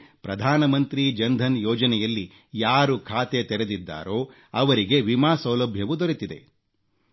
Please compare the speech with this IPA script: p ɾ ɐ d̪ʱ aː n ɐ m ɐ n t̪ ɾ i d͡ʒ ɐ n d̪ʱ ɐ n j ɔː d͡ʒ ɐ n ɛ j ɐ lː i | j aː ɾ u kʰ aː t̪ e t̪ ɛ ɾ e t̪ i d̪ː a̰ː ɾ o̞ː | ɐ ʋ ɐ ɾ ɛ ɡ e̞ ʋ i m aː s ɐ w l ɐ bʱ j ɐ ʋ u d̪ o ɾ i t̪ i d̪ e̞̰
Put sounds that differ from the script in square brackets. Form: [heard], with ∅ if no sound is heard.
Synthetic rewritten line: p ɾ ɐ d̪ʱ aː n ɐ m ɐ n t̪ ɾ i d͡ʒ ɐ n d̪ʱ ɐ n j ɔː d͡ʒ ɐ n ɛ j ɐ lː i | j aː ɾ u kʰ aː t̪ e t̪ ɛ ɾ e [d̪] i d̪ː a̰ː ɾ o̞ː | ɐ ʋ ɐ ɾ [i] ɡ e̞ ʋ i m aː s ɐ w l ɐ bʱ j ɐ ʋ u d̪ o ɾ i t̪ i d̪ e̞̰

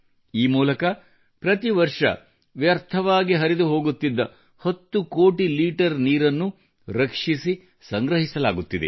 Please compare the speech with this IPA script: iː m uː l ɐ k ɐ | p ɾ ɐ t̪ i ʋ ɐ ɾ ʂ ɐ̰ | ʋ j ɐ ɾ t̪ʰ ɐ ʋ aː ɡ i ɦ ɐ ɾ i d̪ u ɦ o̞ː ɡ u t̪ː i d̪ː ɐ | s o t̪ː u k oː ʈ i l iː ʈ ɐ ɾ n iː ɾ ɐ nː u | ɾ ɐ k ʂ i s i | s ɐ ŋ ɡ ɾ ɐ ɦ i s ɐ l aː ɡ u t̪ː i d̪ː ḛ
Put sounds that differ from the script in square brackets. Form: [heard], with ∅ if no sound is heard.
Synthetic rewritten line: iː m uː l ɐ k ɐ | p ɾ ɐ t̪ i ʋ ɐ ɾ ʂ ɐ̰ | ʋ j ɐ ɾ t̪ʰ ɐ ʋ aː ɡ i ɦ ɐ ɾ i d̪ u ɦ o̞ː ɡ u t̪ː i d̪ː ɐ | [h] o t̪ː u k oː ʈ i l iː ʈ ɐ ɾ n iː ɾ ɐ nː u | ɾ ɐ k ʂ i s i | s ɐ ŋ ɡ ɾ ɐ ɦ i s ɐ l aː ɡ u t̪ː i [d̪] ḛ

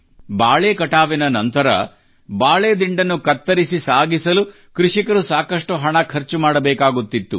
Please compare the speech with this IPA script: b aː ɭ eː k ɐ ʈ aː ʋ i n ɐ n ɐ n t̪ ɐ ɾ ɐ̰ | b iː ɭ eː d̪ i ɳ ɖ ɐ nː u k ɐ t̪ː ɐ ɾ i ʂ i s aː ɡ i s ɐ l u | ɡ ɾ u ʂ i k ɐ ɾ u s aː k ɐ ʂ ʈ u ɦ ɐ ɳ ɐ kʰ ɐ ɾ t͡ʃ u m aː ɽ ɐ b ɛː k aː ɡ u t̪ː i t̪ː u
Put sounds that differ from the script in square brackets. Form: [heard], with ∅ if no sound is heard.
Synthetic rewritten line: b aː ɭ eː k ɐ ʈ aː ʋ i n ɐ n ɐ n t̪ ɐ ɾ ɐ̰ | b [aː] ɭ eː d̪ i ɳ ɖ ɐ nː u k ɐ t̪ː ɐ ɾ i [s] i s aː ɡ i s ɐ l u | [k] ɾ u ʂ i k ɐ ɾ u s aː k ɐ ʂ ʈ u ɦ ɐ ɳ ɐ kʰ ɐ ɾ t͡ʃ u m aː ɽ ɐ b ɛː k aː ɡ u t̪ː i t̪ː u

